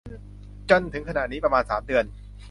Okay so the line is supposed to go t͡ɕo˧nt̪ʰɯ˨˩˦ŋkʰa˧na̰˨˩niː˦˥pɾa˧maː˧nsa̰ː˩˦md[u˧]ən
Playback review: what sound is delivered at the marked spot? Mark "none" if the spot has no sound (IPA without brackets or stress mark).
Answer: ɯ˧